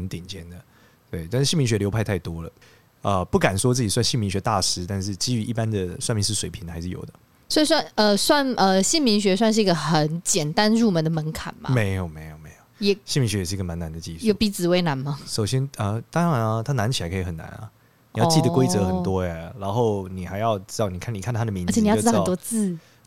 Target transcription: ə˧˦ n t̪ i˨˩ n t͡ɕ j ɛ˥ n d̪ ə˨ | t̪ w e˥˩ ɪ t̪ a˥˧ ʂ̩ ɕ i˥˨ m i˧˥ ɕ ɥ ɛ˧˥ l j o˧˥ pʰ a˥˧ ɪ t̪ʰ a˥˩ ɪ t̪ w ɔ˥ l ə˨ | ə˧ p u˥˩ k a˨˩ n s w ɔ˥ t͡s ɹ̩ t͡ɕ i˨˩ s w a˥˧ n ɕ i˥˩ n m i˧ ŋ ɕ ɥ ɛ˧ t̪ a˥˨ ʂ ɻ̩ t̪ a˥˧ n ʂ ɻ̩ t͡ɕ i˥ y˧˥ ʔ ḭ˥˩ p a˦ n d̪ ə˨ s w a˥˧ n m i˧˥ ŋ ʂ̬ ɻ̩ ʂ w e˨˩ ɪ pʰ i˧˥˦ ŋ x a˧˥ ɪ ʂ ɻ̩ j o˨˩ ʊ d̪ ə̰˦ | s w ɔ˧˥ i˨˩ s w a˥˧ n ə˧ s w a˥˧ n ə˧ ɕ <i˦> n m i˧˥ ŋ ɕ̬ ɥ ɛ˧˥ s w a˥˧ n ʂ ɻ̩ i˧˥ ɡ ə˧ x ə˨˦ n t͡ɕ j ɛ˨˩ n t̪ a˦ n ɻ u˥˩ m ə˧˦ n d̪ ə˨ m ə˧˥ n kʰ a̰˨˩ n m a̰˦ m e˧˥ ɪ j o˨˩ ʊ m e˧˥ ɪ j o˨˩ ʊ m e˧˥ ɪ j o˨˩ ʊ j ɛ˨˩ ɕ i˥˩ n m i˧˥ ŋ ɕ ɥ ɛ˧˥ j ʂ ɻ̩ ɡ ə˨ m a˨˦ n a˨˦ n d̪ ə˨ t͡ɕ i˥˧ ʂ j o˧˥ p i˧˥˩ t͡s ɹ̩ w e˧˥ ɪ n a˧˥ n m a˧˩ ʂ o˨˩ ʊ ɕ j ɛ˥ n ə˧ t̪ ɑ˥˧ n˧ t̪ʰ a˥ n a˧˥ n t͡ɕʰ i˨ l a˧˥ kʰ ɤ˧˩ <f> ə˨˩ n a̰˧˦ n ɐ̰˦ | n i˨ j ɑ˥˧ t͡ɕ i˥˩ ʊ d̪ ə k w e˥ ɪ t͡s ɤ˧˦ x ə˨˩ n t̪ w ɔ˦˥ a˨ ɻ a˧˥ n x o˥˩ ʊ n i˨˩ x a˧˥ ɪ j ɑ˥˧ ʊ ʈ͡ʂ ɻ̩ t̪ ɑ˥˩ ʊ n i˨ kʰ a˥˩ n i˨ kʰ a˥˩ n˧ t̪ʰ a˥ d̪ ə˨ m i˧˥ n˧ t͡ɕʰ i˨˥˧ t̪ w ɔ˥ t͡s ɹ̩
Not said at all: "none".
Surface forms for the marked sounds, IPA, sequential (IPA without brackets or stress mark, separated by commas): i˥˩, x